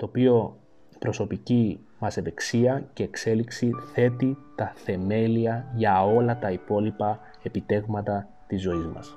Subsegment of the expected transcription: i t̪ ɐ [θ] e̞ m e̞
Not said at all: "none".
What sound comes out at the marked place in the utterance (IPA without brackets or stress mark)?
θ